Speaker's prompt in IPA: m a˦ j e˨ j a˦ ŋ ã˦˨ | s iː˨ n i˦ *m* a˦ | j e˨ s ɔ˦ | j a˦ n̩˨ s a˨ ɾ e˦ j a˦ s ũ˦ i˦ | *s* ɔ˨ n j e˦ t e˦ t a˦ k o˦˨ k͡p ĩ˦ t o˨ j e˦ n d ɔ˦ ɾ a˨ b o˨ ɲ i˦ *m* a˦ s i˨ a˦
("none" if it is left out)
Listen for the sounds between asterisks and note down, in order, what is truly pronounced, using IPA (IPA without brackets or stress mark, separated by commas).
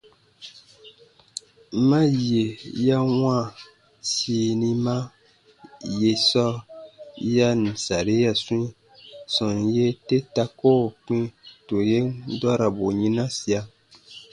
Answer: m, s, n